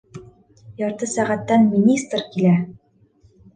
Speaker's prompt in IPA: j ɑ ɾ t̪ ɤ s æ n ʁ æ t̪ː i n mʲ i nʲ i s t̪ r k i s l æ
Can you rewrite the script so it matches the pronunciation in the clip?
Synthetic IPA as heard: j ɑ ɾ t̪ ɤ s æ ʁ æ t̪ː æ n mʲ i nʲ i s t̪ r k i l æ